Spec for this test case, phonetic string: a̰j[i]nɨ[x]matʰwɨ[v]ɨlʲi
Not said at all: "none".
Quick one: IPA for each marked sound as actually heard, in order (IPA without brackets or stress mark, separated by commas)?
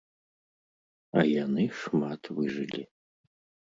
a, ʂ, ʐ